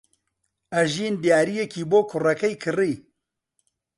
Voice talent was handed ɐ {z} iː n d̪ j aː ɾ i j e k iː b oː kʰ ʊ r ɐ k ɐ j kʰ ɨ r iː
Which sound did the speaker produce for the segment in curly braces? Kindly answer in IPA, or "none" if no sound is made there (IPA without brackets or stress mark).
ʒ